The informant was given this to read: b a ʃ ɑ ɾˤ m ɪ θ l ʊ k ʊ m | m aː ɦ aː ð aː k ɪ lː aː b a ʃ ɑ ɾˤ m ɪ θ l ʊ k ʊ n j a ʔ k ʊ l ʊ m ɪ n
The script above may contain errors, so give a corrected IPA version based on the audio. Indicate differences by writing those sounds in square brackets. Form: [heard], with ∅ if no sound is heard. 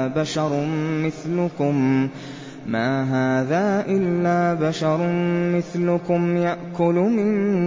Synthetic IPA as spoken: b a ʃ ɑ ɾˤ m ɪ θ l ʊ k ʊ m | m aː ɦ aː ð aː [ʔ] ɪ lː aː b a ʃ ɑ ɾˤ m ɪ θ l ʊ k ʊ [m] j a ʔ k ʊ l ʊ m ɪ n